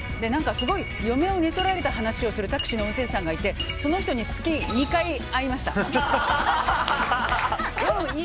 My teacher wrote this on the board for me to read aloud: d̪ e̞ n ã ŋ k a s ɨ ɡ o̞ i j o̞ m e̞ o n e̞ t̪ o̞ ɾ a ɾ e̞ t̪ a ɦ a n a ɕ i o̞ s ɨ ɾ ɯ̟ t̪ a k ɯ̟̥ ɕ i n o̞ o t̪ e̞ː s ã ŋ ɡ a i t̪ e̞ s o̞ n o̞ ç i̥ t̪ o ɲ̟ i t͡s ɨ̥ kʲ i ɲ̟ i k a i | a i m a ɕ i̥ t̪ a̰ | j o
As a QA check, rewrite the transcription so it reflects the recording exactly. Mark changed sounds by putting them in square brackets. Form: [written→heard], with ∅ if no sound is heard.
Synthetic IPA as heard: d̪ e̞ n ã ŋ k a s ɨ ɡ o̞ i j o̞ m e̞ o n e̞ t̪ o̞ ɾ a ɾ e̞ t̪ a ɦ a n a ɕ i o̞ s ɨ ɾ ɯ̟ t̪ a k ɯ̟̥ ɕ i n o̞ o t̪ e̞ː s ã ŋ ɡ a i t̪ e̞ s o̞ n o̞ ç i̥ t̪ o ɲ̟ i t͡s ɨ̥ kʲ i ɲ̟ i k a i | a i m a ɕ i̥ t̪ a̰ | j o